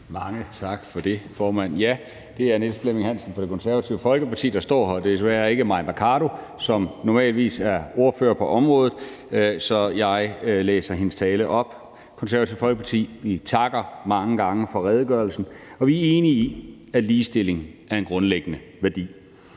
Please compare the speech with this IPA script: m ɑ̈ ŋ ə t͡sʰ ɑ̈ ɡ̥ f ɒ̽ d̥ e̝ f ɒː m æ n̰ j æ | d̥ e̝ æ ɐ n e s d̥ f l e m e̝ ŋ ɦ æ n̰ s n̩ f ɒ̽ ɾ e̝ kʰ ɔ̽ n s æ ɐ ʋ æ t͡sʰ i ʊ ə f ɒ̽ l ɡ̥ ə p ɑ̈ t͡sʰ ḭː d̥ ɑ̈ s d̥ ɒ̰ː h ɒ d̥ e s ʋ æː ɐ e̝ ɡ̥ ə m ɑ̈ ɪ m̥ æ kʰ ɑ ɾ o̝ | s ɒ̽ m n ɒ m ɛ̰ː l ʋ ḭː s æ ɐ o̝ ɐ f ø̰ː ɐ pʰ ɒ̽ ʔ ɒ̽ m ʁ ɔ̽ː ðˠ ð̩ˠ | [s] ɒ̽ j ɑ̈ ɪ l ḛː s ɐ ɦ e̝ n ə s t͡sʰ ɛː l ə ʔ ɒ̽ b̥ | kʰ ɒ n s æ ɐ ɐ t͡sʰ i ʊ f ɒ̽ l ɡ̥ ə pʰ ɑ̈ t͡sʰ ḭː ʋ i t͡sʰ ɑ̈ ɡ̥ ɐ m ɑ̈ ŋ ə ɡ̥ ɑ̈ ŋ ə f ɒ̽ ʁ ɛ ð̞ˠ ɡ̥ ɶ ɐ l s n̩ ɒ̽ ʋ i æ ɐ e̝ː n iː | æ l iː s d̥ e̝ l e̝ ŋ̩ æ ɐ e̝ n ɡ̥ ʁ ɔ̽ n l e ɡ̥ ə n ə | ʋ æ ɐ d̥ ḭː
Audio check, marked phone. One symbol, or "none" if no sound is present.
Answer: s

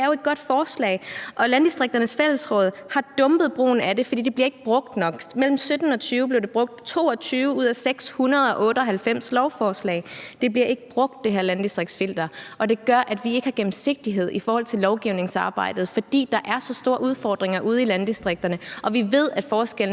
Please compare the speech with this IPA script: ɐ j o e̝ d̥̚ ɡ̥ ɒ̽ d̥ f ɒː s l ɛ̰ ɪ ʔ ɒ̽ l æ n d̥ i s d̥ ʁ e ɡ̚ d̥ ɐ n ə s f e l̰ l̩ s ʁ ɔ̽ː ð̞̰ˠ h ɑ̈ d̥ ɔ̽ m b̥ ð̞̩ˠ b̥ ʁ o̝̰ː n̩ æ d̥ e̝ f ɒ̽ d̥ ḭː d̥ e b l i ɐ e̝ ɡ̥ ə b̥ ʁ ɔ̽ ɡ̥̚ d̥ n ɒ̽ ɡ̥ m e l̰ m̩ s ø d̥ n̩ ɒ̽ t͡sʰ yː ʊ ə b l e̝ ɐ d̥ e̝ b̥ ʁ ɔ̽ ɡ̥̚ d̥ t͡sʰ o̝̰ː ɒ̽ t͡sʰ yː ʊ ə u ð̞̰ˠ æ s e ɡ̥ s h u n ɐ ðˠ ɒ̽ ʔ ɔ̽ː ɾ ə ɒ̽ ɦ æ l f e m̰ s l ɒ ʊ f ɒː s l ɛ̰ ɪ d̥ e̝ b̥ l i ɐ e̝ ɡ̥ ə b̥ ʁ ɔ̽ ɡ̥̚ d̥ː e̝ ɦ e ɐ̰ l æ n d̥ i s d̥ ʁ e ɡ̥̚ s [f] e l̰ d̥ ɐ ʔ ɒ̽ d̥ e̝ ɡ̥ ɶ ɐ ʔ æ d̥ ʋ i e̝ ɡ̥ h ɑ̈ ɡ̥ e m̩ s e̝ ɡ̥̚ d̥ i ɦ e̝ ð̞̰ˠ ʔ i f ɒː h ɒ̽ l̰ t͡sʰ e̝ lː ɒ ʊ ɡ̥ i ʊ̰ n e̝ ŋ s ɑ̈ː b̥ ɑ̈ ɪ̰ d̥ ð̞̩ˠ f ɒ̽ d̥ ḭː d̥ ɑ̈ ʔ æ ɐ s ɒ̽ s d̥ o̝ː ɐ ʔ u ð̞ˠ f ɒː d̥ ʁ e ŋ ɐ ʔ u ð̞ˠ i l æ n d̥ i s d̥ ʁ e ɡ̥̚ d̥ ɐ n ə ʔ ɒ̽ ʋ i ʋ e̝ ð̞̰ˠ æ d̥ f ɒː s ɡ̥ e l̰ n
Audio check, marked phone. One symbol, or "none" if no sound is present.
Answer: f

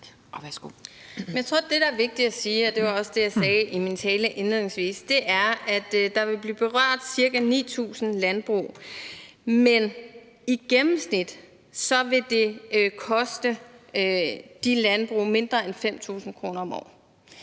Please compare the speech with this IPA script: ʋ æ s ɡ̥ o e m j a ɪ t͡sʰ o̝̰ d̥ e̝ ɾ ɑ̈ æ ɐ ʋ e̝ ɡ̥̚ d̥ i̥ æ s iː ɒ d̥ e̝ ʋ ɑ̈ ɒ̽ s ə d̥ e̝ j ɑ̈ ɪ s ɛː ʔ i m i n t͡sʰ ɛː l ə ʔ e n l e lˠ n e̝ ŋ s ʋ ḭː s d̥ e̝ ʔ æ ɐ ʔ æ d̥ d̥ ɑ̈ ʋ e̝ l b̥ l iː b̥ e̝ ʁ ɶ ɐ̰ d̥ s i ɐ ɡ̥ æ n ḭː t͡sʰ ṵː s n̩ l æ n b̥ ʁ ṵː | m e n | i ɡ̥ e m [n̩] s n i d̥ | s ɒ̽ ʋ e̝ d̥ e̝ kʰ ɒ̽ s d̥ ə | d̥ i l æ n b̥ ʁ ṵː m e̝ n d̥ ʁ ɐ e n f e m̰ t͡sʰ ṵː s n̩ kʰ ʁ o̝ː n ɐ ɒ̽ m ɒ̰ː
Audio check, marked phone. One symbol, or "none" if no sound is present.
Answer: m̩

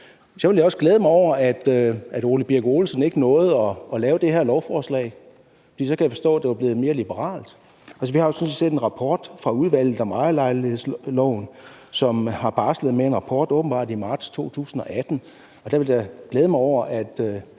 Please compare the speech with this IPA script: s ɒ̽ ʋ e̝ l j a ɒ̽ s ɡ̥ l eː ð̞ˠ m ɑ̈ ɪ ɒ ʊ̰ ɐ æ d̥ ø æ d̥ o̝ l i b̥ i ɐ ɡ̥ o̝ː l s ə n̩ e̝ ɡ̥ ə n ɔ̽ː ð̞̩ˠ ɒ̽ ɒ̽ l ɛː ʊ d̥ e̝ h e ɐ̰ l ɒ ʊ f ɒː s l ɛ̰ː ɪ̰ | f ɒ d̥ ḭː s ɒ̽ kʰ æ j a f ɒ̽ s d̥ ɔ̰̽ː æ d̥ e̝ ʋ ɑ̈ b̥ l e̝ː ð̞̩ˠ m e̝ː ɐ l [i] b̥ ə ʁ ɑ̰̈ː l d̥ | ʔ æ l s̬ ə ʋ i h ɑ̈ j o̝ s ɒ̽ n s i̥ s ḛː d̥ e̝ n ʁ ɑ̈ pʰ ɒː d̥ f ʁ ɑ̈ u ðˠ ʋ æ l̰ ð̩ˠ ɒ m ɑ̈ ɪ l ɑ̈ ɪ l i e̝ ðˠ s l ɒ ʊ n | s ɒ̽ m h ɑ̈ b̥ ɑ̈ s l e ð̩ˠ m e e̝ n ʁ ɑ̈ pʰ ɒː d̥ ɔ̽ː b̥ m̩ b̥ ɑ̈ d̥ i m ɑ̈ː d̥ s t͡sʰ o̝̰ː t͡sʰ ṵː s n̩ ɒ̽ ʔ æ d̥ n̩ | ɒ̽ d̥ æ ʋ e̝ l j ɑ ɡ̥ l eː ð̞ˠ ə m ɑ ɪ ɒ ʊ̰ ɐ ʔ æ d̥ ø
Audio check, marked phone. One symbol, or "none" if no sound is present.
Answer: i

